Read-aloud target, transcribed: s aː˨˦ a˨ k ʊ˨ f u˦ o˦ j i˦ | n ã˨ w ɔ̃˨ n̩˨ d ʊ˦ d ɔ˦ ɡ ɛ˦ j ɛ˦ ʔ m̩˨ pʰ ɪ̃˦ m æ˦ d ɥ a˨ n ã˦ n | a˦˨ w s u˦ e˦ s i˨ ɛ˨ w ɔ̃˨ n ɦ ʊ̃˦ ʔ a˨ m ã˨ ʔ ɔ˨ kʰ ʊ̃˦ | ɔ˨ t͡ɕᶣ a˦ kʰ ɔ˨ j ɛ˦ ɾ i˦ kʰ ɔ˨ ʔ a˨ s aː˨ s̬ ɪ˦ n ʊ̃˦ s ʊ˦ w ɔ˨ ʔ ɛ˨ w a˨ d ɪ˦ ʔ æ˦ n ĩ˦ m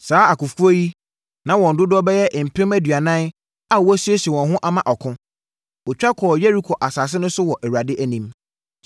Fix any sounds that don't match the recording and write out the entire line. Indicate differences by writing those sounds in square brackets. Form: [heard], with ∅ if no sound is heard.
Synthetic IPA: s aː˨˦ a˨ k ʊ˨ f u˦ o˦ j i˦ | n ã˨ w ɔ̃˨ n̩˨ d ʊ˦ d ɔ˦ [b] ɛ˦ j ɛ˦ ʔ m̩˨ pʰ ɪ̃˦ m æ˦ d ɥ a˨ n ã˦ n | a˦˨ w s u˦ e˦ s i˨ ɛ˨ w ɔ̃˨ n ɦ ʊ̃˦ ʔ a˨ m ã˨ ʔ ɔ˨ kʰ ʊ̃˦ | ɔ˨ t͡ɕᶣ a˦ kʰ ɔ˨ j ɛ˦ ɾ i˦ kʰ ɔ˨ ʔ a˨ s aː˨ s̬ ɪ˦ n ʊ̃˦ s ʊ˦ w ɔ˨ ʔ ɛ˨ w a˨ d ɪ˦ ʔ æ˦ n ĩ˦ m